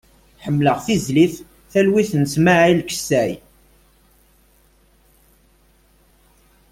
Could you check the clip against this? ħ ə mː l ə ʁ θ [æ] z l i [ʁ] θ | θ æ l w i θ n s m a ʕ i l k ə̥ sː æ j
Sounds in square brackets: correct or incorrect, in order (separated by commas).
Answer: incorrect, incorrect